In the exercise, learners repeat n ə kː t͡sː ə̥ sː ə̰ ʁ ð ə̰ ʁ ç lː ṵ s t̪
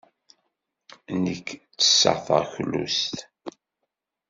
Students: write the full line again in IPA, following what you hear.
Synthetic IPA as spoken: n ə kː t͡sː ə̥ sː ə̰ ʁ θ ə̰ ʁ ç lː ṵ s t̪